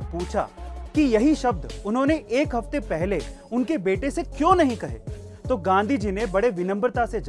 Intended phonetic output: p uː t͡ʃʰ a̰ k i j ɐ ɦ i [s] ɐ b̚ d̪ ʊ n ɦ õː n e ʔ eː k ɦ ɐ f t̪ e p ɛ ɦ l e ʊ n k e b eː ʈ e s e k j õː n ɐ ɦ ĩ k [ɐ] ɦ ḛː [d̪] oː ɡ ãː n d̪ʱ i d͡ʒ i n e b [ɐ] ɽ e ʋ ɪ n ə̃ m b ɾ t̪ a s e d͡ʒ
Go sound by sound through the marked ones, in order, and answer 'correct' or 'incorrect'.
incorrect: ʃ, correct, incorrect: t̪, correct

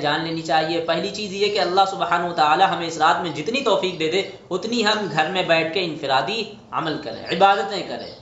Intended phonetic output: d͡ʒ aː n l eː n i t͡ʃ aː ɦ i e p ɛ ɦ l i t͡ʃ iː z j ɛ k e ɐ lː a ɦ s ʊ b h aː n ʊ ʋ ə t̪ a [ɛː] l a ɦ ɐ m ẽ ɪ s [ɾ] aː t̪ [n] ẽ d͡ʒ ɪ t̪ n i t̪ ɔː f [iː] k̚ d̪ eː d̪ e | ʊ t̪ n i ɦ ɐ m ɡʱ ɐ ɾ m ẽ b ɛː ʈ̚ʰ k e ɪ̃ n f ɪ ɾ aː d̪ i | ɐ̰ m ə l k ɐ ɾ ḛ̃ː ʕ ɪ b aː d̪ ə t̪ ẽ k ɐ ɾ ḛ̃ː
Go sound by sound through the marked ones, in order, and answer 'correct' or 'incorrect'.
incorrect: aː, correct, incorrect: m, correct

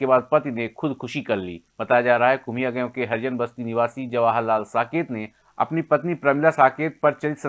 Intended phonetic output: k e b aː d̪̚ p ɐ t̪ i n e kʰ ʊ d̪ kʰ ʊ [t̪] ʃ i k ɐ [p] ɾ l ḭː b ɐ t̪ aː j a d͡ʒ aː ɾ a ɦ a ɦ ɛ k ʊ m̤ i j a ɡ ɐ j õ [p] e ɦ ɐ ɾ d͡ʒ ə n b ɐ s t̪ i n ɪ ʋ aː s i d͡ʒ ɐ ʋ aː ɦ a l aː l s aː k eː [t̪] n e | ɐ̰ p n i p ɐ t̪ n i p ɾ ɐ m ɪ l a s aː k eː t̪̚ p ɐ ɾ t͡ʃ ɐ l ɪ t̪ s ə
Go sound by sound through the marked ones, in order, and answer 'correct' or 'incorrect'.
incorrect: none, incorrect: none, incorrect: k, correct

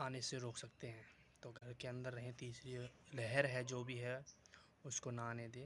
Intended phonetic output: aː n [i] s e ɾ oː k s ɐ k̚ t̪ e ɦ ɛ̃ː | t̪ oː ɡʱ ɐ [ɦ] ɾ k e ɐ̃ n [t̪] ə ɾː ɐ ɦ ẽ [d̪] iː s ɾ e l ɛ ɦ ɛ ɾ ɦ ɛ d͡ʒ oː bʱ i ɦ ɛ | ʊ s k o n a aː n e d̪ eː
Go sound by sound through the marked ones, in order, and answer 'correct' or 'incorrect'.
incorrect: e, incorrect: none, incorrect: d̪, incorrect: t̪

